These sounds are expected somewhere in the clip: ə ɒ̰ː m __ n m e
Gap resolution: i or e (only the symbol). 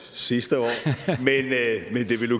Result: e